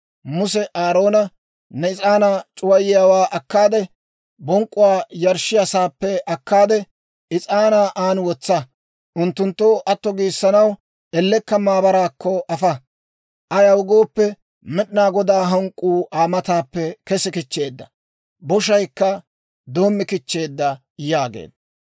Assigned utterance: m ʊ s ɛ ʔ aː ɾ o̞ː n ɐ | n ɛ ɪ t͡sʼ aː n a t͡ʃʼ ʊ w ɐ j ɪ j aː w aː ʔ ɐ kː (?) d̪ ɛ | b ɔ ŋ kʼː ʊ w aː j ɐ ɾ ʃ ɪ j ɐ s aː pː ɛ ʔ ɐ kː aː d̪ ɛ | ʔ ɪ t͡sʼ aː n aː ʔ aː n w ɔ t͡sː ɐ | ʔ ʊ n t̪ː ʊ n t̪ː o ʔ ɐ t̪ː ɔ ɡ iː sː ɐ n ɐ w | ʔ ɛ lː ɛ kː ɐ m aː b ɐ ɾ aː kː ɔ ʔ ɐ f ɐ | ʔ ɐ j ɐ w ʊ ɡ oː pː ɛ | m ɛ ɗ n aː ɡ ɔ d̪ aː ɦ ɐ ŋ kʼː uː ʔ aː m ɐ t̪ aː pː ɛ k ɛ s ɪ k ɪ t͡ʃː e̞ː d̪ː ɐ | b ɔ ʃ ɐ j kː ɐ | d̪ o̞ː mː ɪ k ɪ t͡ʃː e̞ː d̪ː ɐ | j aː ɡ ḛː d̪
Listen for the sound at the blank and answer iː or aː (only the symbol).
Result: aː